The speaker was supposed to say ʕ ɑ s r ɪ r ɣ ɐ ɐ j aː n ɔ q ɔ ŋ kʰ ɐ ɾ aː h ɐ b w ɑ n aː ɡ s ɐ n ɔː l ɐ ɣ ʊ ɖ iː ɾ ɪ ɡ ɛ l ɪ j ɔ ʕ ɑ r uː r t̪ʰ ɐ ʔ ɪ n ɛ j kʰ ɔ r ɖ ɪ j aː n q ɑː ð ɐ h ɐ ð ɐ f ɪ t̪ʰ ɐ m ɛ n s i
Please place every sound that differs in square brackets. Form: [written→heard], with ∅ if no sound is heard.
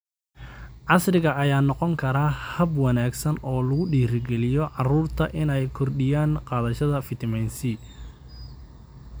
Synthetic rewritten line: ʕ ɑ s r ɪ [r→∅] ɣ ɐ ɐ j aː n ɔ q ɔ ŋ kʰ ɐ ɾ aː h ɐ b w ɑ n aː ɡ s ɐ n ɔː l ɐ ɣ ʊ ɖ iː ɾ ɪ ɡ ɛ l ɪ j ɔ ʕ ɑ r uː r t̪ʰ ɐ ʔ ɪ n ɛ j kʰ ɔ r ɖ ɪ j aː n q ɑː ð ɐ [h→ʃ] ɐ ð ɐ f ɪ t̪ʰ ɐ m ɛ n s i